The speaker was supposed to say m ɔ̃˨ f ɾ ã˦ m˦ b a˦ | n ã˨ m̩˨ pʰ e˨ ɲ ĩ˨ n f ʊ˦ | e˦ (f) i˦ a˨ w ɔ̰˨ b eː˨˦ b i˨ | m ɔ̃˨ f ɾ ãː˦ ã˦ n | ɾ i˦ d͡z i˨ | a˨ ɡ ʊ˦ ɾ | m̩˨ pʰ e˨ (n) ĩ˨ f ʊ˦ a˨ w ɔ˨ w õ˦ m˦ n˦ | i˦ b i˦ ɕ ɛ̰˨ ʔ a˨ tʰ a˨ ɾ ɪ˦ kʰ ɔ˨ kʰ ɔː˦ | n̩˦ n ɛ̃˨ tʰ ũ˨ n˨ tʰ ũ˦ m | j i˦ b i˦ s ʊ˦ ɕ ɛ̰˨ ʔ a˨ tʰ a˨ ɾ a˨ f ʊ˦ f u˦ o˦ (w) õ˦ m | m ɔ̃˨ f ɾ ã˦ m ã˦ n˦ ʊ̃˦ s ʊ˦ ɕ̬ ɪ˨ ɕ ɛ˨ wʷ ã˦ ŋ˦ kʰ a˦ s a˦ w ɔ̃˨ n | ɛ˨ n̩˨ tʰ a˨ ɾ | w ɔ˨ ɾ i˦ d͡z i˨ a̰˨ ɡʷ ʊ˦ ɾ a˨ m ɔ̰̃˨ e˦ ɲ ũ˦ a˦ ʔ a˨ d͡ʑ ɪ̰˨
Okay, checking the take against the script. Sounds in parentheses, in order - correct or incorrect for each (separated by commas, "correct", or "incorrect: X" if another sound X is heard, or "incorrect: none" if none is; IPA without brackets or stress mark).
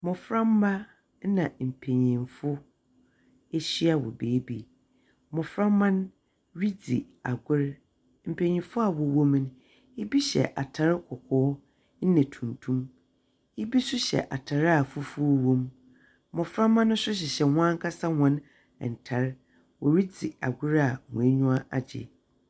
incorrect: ɕ, incorrect: ɲ, correct